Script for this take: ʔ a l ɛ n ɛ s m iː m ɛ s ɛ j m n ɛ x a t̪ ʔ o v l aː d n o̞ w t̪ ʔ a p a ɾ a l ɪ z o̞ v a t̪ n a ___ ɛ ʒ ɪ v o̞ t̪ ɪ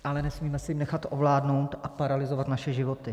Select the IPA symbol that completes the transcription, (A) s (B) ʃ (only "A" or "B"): B